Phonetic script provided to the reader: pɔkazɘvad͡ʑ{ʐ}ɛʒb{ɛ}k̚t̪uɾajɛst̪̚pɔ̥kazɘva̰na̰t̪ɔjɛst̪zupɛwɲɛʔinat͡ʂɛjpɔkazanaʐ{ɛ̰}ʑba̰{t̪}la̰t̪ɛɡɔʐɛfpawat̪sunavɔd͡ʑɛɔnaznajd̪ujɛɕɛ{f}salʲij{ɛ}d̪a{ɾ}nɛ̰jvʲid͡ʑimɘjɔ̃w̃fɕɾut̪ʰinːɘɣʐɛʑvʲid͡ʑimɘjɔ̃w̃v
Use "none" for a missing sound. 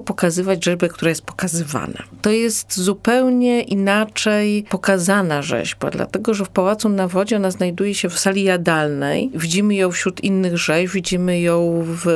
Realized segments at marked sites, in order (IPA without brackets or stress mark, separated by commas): ʐ, ɛ, ɛ̰, d̪, f, a, l